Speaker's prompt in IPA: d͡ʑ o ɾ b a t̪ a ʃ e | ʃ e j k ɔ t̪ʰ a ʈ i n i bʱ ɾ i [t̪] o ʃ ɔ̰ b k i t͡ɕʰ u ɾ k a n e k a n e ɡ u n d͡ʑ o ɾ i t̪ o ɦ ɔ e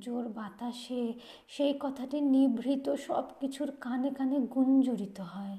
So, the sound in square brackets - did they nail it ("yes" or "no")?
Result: yes